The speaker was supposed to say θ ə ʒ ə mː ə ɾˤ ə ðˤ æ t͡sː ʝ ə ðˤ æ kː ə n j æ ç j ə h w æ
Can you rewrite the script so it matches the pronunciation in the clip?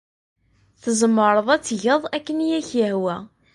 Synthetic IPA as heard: θ ə z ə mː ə ɾˤ ə ðˤ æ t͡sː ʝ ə ðˤ æ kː ə n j æ ç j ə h w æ